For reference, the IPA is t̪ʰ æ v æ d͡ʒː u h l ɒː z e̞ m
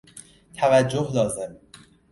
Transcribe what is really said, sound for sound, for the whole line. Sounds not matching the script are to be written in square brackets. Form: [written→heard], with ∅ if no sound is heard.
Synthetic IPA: t̪ʰ æ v æ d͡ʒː [u→o] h l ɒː z e̞ m

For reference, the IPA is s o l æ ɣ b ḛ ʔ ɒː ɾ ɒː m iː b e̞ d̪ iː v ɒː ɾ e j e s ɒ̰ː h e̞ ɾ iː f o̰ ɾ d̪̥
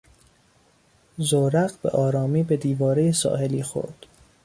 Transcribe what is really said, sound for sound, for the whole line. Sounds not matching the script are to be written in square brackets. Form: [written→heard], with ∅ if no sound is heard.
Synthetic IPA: [s→z] o [l→ɾ] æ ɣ b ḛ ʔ ɒː ɾ ɒː m iː b e̞ d̪ iː v ɒː ɾ e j e s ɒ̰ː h e̞ [ɾ→l] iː [f→x] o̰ ɾ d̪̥

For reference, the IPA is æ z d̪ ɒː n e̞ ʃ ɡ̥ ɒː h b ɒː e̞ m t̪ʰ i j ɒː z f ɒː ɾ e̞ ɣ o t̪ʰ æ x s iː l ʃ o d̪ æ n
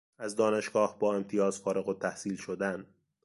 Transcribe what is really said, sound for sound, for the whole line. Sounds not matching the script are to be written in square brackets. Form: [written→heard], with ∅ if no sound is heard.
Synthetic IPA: æ z d̪ ɒː n e̞ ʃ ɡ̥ ɒː h b ɒː e̞ m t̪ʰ i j ɒː z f ɒː ɾ e̞ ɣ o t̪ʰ æ [x→h] s iː l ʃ o d̪ æ n

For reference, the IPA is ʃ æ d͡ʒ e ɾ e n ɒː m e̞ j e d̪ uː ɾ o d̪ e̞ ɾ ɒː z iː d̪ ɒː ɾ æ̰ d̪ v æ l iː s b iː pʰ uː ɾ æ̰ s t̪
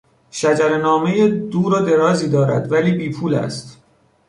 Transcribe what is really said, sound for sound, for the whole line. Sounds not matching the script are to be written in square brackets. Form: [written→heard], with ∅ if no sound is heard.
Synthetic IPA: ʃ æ d͡ʒ [e→æ] ɾ e n ɒː m e̞ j e d̪ uː ɾ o d̪ e̞ ɾ ɒː z iː d̪ ɒː ɾ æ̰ d̪ v æ l iː [s→∅] b iː pʰ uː [ɾ→l] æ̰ s t̪

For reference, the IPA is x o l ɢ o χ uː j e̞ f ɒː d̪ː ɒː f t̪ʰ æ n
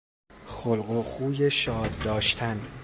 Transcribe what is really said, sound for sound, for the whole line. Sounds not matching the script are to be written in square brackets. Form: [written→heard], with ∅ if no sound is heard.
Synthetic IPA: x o l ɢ o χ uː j e̞ [f→ʃ] ɒː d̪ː ɒː [f→ʃ] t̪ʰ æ n

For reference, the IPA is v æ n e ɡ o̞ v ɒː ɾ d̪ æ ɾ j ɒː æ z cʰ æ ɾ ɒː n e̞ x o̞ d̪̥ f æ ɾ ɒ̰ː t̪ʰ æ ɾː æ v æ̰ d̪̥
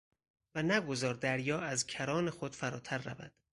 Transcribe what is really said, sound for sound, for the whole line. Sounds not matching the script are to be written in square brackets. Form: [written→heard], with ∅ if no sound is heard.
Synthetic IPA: v æ n [e→æ] ɡ o̞ [v→z] ɒː ɾ d̪ æ ɾ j ɒː æ z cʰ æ ɾ ɒː n e̞ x o̞ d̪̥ f æ ɾ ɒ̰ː t̪ʰ æ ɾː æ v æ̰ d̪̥

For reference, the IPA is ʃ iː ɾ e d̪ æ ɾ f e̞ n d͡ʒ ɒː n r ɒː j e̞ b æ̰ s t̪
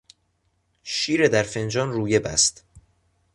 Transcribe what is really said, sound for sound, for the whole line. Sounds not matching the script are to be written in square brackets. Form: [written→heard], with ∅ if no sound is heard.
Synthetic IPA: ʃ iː ɾ e d̪ æ ɾ f e̞ n d͡ʒ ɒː n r [ɒː→uː] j e̞ b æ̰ s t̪

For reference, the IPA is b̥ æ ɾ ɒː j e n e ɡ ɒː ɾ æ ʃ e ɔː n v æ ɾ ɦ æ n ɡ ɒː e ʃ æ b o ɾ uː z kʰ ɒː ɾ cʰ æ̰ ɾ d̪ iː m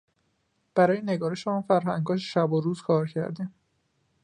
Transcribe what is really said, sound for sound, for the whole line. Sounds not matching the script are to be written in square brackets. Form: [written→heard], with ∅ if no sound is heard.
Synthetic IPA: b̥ æ ɾ ɒː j e n e ɡ ɒː ɾ [æ→e] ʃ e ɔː n [v→f] æ ɾ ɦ æ [n→ŋ] ɡ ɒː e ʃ æ b o ɾ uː z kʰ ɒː ɾ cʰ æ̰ ɾ d̪ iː m

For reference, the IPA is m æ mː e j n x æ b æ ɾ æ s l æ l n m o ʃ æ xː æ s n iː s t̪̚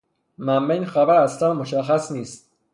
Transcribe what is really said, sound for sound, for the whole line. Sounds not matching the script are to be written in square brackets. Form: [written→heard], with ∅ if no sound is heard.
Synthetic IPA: m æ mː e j n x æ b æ ɾ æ s l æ [l→∅] n m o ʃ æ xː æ s n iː s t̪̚

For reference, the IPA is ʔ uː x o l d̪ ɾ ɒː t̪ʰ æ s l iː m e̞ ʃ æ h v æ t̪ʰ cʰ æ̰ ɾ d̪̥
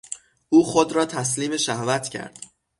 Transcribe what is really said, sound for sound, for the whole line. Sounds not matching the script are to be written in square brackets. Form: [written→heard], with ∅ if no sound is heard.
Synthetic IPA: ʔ uː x o [l→∅] d̪ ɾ ɒː t̪ʰ æ s l iː m e̞ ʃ æ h v æ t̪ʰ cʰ æ̰ ɾ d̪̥

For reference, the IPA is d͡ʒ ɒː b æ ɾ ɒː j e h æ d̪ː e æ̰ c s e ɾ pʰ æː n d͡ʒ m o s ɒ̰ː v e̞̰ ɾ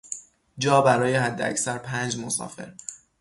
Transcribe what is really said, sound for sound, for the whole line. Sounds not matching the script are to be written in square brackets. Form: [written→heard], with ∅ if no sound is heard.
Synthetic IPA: d͡ʒ ɒː b æ ɾ ɒː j e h æ d̪ː e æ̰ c s [e→æ] ɾ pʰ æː n d͡ʒ m o s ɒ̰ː [v→f] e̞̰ ɾ

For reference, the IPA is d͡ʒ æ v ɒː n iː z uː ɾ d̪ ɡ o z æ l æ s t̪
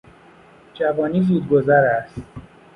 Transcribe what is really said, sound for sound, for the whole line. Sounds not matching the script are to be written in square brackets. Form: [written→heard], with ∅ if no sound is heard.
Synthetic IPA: d͡ʒ æ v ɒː n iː z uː [ɾ→∅] d̪ ɡ o z æ [l→ɾ] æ s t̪

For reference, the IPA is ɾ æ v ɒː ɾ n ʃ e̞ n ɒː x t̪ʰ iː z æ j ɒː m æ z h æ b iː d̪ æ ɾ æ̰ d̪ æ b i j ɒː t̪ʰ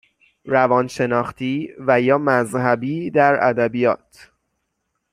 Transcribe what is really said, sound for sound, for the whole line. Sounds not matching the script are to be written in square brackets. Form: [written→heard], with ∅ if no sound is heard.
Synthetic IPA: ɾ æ v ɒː [ɾ→∅] n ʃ e̞ n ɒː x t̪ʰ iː [z→v] æ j ɒː m æ z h æ b iː d̪ æ ɾ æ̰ d̪ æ b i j ɒː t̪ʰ

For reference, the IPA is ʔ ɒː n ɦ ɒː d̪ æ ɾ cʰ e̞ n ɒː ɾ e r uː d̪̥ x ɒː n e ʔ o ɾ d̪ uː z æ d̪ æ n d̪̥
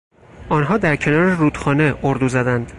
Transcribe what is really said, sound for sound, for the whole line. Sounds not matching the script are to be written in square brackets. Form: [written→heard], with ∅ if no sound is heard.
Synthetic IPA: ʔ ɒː n ɦ ɒː d̪ æ ɾ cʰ e̞ n ɒː ɾ e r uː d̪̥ x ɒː n e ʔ o ɾ d̪ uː z æ d̪ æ n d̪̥

